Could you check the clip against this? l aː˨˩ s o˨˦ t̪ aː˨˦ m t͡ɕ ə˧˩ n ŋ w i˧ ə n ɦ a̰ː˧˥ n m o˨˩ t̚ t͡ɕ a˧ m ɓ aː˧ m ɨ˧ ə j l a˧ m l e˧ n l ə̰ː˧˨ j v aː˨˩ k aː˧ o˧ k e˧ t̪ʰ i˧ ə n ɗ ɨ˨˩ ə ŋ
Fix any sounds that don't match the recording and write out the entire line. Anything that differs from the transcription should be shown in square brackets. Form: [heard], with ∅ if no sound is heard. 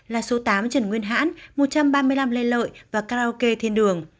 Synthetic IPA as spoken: l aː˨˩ s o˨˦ t̪ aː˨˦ m t͡ɕ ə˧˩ n ŋ w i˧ ə n ɦ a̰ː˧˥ n m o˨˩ t̚ t͡ɕ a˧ m ɓ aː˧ m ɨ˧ ə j l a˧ m l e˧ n l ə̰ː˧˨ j v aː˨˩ k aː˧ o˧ k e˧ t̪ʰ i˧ ə n ɗ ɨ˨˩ ə ŋ